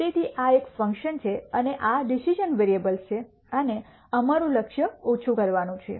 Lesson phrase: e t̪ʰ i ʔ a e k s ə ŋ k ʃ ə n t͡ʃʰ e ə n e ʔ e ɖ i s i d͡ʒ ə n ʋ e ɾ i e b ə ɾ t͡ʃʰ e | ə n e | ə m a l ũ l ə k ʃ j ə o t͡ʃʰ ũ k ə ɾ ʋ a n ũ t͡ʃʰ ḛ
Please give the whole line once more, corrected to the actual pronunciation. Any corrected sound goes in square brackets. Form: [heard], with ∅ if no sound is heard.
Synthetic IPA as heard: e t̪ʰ i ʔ a e k [f] ə ŋ k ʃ ə n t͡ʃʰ e ə n e ʔ [a] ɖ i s i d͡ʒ ə n ʋ e ɾ i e b ə [l] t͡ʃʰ e | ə n e | ə m a [ɾ] ũ l ə k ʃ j ə o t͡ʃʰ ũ k ə ɾ ʋ a n ũ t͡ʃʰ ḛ